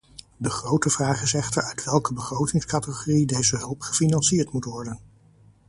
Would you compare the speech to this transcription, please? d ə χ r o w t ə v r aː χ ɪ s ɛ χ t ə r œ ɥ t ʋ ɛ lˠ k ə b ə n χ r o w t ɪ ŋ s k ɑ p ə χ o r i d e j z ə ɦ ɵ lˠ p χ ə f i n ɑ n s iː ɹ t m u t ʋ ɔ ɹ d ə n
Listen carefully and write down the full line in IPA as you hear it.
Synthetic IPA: d ə χ r o w t ə v r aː χ ɪ s ɛ χ t ə ɹ œ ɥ t ʋ ɛ lˠ k ə b ə χ r o w t ɪ ŋ s k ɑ t ə χ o r i d e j z ə ɦ ɵ lˠ p χ ə f i n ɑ n s iː ɹ t m u t ʋ ɔ ɹ d ə n